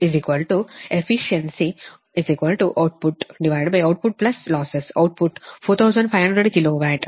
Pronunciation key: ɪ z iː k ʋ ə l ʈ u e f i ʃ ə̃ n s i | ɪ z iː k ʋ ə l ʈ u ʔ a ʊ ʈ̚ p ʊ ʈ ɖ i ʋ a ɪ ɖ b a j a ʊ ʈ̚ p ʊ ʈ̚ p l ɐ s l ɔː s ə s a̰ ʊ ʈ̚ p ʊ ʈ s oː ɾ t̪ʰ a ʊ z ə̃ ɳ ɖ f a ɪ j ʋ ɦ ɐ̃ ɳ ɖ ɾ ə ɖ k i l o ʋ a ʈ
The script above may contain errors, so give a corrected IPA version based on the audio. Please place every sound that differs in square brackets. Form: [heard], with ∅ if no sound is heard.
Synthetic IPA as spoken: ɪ z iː k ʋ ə l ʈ u e f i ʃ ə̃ n s i | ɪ z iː k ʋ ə l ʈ u ʔ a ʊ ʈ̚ p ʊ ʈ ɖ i ʋ a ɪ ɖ b a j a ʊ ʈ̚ p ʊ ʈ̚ p l ɐ s l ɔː s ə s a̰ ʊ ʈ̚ p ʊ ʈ [f] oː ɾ t̪ʰ a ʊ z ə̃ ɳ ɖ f a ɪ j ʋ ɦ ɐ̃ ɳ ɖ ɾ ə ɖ k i l o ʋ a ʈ